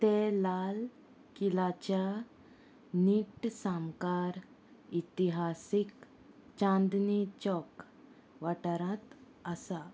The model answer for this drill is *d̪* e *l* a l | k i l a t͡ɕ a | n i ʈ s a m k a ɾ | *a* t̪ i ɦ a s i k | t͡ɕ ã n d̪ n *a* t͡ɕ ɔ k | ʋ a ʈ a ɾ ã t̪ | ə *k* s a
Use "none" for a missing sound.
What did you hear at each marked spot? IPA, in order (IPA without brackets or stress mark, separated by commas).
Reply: t̪, l, i, i, none